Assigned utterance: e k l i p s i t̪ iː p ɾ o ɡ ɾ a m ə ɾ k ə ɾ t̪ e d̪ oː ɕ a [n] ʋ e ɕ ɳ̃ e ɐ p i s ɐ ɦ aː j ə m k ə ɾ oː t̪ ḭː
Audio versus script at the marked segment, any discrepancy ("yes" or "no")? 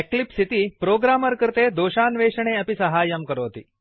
no